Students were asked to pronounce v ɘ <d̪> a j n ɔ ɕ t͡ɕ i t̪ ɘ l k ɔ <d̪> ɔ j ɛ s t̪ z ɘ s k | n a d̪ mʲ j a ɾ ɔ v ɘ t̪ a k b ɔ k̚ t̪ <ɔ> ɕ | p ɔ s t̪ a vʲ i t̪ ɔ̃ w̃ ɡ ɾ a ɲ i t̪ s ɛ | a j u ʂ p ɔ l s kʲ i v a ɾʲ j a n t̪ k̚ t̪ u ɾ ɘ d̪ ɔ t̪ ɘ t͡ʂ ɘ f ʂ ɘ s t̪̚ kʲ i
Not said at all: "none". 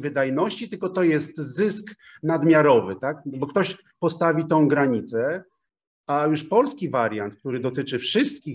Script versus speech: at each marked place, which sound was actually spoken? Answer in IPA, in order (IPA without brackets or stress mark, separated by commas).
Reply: d̪, t̪, ɔ